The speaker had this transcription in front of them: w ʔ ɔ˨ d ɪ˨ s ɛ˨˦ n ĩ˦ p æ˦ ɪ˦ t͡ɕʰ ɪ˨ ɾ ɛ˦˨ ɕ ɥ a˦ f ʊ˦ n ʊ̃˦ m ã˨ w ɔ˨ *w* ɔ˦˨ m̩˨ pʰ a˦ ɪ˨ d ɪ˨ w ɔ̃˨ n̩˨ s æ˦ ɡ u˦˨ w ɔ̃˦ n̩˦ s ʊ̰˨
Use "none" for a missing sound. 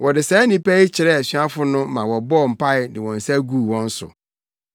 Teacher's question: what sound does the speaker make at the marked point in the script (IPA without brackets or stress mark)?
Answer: b